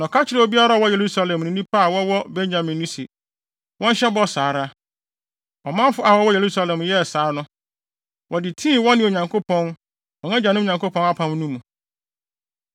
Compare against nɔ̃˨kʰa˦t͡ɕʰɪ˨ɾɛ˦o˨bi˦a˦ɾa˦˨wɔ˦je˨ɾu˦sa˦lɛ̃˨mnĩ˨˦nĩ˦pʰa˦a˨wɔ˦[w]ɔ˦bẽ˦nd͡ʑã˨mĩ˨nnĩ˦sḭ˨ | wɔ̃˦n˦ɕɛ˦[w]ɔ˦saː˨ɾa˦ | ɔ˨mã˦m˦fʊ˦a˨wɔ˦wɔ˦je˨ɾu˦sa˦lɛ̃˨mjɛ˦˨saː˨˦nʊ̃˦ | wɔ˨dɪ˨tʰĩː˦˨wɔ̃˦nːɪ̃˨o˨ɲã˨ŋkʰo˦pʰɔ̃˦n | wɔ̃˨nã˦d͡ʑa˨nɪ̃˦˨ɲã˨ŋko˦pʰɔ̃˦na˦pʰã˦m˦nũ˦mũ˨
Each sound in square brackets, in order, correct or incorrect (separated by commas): correct, incorrect